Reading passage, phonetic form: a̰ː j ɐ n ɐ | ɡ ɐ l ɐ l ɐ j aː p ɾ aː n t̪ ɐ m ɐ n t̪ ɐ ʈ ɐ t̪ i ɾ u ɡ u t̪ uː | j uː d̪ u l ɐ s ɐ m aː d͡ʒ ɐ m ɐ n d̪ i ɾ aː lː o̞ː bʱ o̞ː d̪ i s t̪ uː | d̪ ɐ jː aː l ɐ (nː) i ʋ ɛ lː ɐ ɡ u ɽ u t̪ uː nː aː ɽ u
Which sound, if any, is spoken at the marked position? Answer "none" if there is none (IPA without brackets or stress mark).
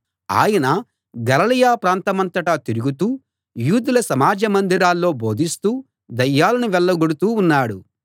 n